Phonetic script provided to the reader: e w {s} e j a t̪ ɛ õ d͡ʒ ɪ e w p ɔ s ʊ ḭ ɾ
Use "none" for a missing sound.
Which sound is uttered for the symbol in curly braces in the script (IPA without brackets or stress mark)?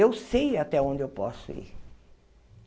s